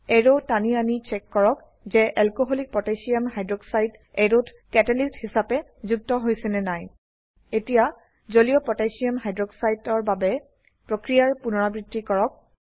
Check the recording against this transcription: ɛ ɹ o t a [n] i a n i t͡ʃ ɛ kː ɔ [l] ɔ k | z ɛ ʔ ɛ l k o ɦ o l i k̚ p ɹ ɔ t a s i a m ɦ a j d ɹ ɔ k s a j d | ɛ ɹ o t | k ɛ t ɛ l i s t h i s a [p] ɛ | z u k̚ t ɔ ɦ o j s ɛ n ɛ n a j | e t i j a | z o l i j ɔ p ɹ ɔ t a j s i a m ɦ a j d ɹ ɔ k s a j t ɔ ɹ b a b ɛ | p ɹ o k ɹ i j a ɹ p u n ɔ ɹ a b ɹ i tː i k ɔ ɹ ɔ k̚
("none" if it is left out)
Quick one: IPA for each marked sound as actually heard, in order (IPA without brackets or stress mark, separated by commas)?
n, ɹ, p